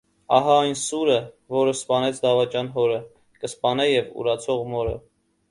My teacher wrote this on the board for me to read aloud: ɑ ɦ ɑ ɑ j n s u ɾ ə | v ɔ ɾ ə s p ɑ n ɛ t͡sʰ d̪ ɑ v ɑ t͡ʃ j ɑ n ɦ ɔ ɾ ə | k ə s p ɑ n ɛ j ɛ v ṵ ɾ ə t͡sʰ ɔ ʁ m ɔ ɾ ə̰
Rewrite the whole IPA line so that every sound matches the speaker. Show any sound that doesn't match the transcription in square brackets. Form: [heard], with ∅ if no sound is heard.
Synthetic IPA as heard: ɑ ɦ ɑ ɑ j n s u ɾ ə | v ɔ ɾ ə s p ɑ n ɛ t͡sʰ d̪ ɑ v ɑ t͡ʃ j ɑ n ɦ ɔ ɾ ə | k ə s p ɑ n ɛ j ɛ v ṵ ɾ [ɑ] t͡sʰ ɔ ʁ m ɔ ɾ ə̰